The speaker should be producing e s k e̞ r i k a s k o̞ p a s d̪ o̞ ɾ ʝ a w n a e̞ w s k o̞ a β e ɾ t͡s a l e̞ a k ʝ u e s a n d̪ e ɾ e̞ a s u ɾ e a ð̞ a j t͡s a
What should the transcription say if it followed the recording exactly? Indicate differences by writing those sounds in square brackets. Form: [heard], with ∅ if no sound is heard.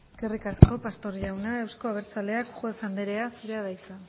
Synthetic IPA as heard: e s k e̞ r i k a s k o̞ p a s [t̪] o̞ ɾ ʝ a w n a e̞ w s k o̞ a β e ɾ t͡s a l e̞ a k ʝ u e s a n d̪ e ɾ e̞ a s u ɾ e a ð̞ a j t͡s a